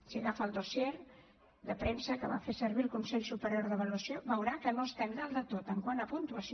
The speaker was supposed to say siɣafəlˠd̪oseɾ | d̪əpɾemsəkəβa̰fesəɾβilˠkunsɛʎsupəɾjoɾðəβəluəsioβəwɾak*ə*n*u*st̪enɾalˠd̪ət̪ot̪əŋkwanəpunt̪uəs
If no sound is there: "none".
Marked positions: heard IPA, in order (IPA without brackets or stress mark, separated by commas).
ə, o